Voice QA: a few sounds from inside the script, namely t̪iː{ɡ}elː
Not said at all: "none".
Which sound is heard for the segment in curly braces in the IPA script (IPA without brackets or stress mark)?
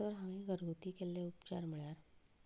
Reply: k